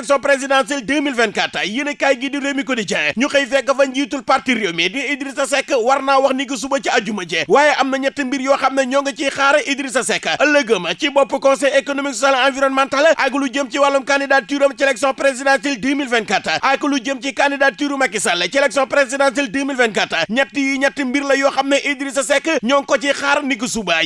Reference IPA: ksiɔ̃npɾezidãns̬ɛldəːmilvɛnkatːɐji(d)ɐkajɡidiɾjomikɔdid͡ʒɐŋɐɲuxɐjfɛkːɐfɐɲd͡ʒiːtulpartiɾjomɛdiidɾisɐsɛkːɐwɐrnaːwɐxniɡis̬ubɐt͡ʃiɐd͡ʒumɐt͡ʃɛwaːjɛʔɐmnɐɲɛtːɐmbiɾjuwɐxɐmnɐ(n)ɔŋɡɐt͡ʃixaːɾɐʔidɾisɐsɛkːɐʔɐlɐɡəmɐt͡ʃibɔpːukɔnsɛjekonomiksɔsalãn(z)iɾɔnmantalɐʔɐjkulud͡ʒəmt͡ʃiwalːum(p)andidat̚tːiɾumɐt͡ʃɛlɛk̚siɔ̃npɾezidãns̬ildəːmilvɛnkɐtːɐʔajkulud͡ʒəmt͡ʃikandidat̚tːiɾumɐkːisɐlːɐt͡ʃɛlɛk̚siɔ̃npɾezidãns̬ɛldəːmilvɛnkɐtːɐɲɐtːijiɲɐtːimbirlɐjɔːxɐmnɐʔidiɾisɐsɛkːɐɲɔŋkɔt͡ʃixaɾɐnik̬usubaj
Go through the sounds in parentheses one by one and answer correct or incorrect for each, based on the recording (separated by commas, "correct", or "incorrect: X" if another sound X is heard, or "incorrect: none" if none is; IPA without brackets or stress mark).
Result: incorrect: n, incorrect: ɲ, incorrect: v, incorrect: k